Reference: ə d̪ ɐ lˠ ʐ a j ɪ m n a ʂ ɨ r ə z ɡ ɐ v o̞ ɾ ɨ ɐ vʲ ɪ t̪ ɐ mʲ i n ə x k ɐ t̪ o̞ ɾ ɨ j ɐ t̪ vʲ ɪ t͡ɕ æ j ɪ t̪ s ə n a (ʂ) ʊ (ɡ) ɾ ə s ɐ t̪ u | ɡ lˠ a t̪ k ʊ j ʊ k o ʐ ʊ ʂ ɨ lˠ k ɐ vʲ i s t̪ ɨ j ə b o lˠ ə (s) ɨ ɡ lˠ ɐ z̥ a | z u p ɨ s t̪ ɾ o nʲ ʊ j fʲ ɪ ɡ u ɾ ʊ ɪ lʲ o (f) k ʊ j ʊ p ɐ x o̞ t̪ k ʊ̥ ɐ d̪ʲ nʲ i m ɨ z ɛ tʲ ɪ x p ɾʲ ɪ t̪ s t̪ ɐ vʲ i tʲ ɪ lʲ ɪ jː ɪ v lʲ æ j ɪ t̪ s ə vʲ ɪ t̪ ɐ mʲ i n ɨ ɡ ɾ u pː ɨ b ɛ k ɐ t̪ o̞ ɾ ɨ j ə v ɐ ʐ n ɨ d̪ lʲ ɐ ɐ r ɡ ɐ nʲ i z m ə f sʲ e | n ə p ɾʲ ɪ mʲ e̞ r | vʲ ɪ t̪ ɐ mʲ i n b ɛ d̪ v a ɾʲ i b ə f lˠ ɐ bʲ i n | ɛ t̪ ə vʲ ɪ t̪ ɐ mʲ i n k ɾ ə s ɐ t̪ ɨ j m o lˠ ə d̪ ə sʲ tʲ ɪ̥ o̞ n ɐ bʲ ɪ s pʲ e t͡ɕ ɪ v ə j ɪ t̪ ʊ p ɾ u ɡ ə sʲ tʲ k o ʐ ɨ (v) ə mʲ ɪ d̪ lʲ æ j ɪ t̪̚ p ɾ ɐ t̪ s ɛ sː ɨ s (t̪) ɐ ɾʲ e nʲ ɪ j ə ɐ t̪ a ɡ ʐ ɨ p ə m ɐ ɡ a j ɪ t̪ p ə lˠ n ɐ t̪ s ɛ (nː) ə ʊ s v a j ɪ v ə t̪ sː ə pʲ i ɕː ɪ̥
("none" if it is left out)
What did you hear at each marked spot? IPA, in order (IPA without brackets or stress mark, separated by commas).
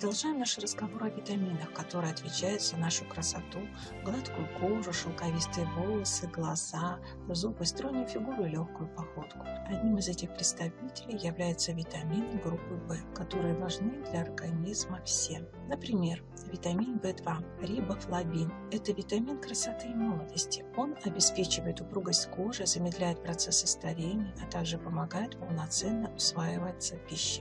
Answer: ʂ, k, s, x, z, t̪, nː